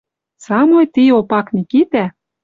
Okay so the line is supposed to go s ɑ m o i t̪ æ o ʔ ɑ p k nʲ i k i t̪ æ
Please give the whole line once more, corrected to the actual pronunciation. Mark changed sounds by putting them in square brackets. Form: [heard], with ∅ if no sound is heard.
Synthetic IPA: s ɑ m o [j] t̪ [i] o [p] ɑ [∅] k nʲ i k i t̪ æ

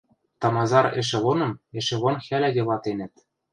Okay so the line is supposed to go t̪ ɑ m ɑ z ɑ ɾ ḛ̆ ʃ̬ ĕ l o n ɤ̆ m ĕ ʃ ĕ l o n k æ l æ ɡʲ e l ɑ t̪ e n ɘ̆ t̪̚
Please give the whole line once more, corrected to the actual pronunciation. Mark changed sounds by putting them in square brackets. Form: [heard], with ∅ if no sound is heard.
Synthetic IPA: t̪ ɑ m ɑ z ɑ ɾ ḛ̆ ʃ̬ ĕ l o n ɤ̆ m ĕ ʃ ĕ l o n [x] æ l æ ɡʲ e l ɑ t̪ e n ɘ̆ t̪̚

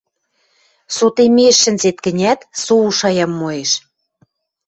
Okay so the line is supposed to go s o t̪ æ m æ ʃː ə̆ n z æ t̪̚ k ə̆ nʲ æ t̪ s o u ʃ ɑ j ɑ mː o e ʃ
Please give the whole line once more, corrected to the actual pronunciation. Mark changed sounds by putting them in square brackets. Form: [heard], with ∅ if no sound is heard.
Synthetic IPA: s o t̪ [e] m [e] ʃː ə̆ n z [e] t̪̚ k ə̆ nʲ æ t̪ s o u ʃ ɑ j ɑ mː o e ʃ

